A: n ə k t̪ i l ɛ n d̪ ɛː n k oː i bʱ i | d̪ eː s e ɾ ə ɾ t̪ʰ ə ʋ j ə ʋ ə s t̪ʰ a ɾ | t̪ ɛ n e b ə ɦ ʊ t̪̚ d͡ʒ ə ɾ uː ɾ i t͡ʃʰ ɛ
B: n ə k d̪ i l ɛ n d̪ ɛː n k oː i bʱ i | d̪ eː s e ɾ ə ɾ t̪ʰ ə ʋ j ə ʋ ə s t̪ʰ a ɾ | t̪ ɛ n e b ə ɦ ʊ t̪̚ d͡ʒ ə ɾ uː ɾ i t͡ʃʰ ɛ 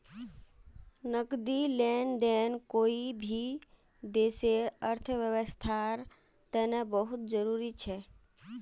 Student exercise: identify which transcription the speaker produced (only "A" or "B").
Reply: B